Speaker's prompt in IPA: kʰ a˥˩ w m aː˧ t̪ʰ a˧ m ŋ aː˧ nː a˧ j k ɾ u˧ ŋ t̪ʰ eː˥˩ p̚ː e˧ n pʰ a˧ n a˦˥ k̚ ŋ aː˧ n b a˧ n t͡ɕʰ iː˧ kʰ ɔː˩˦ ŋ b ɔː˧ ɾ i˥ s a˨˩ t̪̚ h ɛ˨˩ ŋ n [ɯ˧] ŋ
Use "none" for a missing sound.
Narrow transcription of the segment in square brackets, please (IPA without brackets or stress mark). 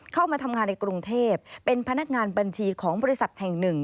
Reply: ɯ˨˩